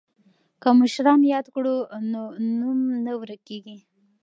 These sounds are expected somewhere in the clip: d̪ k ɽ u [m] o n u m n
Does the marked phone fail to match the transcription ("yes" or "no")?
yes